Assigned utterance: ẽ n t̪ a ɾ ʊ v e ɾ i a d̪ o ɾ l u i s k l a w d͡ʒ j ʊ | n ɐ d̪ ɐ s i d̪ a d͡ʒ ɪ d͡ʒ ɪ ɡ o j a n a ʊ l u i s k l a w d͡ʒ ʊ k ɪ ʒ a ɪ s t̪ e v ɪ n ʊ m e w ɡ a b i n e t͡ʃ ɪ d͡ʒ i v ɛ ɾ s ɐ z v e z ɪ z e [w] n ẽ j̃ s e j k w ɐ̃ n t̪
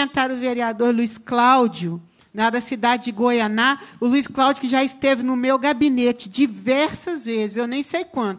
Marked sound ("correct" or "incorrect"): correct